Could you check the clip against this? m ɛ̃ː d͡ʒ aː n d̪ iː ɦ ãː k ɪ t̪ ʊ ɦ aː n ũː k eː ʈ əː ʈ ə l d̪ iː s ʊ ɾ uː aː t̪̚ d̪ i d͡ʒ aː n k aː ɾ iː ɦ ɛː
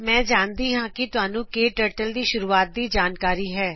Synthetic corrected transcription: m ɛ̃ː d͡ʒ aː n d̪ iː ɦ ãː k ɪ t̪ ʊ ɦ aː n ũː k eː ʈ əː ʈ ə l d̪ iː ʃ ʊ ɾ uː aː t̪̚ d̪ iː d͡ʒ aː n k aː ɾ iː ɦ ɛː

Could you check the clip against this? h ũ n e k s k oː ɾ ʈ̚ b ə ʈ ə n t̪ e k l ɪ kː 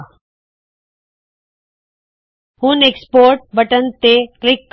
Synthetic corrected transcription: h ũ n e k s p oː ɾ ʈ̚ b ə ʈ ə n t̪ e k l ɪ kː

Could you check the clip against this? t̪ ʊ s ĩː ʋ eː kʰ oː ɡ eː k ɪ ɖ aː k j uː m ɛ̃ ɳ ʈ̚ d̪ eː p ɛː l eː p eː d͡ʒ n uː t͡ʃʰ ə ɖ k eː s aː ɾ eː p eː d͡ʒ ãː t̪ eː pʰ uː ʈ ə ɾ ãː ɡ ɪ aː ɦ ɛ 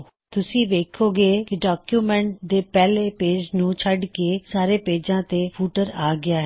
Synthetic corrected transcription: t̪ ʊ s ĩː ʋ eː kʰ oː ɡ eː k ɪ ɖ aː k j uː m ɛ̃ ɳ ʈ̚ d̪ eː p ɛː l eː p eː d͡ʒ n ũː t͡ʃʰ ə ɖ k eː s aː ɾ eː p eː d͡ʒ ãː t̪ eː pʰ uː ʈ ə ɾ aː ɡ ɪ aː ɦ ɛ

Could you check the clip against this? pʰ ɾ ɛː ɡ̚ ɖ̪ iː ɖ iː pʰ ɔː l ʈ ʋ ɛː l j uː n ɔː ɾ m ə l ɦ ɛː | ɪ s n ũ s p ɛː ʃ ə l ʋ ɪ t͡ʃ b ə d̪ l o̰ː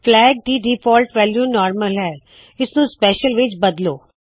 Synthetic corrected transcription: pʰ l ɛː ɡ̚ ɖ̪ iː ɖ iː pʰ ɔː l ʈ ʋ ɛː l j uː n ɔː ɾ m ə l ɦ ɛː | ɪ s n ũ s p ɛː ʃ ə l ʋ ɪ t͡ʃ b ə d̪ l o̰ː

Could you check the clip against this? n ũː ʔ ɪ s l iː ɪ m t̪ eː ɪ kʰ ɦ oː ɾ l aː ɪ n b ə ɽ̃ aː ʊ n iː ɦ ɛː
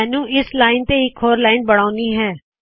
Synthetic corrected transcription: n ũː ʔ ɪ s l aː ɪ n t̪ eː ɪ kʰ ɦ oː ɾ l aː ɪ n b ə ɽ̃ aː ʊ n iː ɦ ɛː

